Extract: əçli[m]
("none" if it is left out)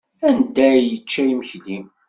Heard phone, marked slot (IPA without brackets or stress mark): m